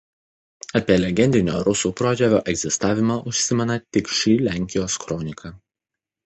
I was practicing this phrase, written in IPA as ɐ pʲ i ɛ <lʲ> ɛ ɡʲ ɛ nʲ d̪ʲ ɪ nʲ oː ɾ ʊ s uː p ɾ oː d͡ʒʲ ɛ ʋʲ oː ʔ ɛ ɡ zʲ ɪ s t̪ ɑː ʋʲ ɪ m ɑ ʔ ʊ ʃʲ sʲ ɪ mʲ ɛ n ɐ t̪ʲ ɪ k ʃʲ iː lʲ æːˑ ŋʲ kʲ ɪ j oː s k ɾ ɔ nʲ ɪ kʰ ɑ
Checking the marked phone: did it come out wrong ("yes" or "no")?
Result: no